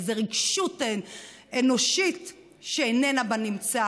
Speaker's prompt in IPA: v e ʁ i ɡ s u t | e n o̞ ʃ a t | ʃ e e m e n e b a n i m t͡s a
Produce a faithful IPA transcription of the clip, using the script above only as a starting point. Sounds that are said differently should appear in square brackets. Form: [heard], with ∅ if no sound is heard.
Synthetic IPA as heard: [z] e ʁ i ɡ [ʃ] u t | e n o̞ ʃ [i] t | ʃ e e [n] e n [a] b a n i m t͡s a